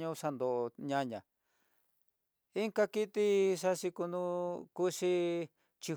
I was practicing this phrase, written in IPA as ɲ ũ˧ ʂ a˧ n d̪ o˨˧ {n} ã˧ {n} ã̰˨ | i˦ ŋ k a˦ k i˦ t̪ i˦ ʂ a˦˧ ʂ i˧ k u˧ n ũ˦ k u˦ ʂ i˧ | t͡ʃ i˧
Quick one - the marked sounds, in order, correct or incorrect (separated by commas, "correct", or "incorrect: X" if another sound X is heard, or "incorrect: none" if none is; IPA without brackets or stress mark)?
incorrect: ɲ, incorrect: ɲ